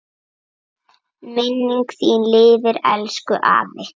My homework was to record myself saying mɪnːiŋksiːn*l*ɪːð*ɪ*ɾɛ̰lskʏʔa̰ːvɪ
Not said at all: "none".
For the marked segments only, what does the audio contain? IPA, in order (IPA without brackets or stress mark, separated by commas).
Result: l, ɪ